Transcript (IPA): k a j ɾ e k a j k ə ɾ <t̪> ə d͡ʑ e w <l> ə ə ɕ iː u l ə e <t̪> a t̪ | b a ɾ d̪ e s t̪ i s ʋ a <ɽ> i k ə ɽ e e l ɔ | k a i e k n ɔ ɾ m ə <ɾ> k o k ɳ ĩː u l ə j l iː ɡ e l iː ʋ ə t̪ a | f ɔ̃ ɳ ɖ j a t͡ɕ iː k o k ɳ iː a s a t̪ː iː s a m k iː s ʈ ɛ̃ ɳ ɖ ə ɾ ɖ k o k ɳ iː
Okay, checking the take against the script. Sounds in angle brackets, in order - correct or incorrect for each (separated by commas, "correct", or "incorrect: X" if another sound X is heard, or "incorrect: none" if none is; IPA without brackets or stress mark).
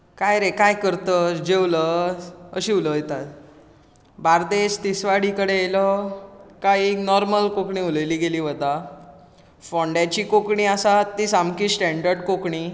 correct, correct, correct, correct, incorrect: l